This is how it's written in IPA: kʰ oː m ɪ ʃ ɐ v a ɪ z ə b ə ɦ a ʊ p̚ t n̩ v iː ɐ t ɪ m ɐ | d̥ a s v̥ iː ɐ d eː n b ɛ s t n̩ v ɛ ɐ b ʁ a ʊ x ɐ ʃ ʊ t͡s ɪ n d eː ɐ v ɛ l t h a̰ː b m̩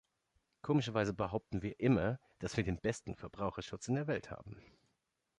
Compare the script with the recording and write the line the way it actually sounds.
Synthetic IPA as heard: kʰ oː m ɪ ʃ ɐ v a ɪ z ə b ə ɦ a ʊ p̚ t n̩ v iː ɐ ʔ ɪ m ɐ | d̥ a s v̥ iː ɐ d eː n b ɛ s t n̩ f ɛ ɐ b ʁ a ʊ x ɐ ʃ ʊ t͡s ɪ n d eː ɐ v ɛ l t h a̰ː b m̩